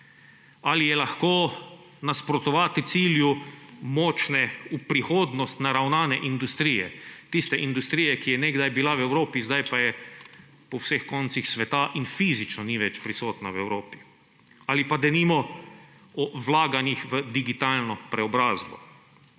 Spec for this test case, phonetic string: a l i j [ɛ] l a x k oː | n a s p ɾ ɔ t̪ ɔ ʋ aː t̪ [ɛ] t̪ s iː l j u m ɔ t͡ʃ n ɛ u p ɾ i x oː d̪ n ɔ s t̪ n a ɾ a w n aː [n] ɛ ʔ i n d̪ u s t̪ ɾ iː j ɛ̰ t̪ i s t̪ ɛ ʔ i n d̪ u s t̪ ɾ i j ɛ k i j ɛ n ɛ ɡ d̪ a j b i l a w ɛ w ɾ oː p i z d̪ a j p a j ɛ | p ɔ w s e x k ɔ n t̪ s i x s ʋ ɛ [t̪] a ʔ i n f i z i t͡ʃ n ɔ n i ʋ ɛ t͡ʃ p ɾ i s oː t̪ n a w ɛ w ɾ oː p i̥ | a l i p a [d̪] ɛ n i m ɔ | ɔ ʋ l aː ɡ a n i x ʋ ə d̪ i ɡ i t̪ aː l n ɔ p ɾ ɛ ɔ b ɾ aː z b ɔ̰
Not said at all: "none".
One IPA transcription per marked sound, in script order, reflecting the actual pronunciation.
ɛ, i, n, t̪, d̪

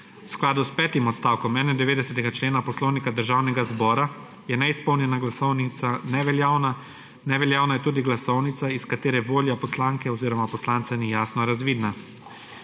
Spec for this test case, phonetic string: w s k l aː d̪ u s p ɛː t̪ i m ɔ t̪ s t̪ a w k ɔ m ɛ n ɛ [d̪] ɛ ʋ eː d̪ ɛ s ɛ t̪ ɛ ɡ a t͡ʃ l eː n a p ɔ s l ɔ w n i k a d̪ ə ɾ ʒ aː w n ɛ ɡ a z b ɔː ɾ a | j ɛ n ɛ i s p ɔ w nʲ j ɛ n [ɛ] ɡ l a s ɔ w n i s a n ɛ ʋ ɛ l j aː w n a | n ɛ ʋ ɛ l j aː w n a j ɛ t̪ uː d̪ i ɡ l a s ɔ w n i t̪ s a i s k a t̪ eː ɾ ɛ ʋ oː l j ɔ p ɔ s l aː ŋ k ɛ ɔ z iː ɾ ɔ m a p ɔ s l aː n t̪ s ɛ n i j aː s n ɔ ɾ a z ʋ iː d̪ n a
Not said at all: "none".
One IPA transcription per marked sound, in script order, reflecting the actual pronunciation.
d̪, a

